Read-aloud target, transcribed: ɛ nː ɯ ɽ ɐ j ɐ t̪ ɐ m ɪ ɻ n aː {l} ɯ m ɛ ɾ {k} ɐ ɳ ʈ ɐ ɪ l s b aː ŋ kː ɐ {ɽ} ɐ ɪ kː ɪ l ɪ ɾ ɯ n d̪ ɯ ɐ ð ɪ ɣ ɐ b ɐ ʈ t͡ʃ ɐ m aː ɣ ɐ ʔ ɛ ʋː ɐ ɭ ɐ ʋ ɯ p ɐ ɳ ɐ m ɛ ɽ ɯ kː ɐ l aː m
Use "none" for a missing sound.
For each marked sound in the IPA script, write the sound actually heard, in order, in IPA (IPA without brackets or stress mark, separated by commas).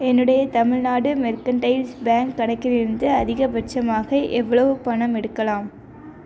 ɽ, k, ɽ